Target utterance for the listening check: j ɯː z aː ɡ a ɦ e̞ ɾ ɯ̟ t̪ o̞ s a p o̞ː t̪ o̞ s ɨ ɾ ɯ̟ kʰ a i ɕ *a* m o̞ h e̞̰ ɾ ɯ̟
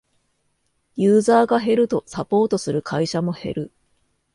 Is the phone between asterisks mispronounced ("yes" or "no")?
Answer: no